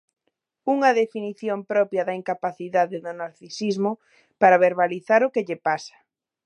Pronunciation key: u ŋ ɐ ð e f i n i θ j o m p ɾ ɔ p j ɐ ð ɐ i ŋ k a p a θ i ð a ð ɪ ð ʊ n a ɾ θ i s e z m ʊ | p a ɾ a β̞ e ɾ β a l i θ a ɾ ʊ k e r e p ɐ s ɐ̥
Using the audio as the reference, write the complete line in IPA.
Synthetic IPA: u ŋ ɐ ð e f i n i θ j o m p ɾ ɔ p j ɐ ð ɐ i ŋ k a p a θ i ð a ð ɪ ð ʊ n a ɾ θ i s i z m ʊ | p a ɾ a β̞ e ɾ β a l i θ a ɾ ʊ k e ʎ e p a s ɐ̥